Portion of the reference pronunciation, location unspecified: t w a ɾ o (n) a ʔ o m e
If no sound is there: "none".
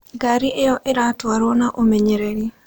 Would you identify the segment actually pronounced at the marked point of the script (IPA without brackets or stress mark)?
n